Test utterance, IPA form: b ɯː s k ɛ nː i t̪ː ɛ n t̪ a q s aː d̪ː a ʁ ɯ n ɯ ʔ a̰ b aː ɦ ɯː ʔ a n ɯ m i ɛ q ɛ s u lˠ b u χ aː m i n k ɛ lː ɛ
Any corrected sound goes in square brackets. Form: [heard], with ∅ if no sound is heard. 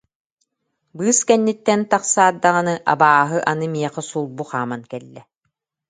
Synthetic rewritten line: b ɯː s k ɛ nː i t̪ː ɛ n t̪ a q s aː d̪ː a ʁ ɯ n ɯ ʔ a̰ b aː ɦ [ɯ] ʔ a n ɯ m i ɛ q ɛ s u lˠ b u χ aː m [a] n k ɛ lː ɛ